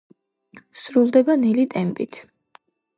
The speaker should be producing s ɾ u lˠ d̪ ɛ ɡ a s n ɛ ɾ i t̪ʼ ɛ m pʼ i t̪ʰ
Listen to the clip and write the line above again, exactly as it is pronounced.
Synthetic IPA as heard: s ɾ u lˠ d̪ ɛ b a n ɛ l i t̪ʼ ɛ m pʼ i t̪ʰ